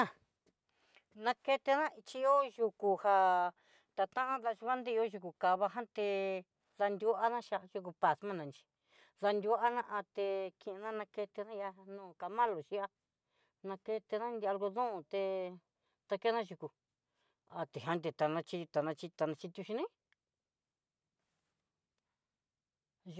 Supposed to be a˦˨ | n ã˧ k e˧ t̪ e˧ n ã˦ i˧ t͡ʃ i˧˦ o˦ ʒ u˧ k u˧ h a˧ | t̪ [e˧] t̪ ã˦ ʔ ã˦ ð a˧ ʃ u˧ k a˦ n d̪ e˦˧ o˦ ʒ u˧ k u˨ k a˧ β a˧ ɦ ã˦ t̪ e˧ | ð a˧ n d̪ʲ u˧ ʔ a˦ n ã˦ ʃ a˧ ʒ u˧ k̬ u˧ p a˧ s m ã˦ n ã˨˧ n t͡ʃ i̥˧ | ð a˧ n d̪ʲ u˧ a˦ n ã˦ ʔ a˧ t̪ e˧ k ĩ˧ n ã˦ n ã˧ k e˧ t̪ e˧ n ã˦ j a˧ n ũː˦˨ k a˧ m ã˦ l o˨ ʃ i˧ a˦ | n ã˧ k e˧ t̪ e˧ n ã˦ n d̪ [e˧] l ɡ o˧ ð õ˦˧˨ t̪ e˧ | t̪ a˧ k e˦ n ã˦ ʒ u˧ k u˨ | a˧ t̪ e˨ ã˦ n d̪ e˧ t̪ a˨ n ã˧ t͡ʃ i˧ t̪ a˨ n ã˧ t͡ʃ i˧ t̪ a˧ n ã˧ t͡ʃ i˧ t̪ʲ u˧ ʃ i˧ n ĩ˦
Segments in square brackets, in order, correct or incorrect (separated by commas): incorrect, incorrect